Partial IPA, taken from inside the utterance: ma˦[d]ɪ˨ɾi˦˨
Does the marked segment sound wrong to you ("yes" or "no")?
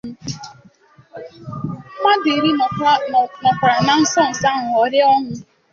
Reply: no